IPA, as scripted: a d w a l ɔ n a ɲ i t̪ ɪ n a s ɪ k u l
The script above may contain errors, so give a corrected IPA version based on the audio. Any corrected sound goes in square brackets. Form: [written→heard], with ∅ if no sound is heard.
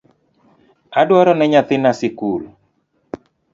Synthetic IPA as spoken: a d w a [l→ɾ] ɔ n [a→ɛ] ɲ [i→a] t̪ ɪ n a s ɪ k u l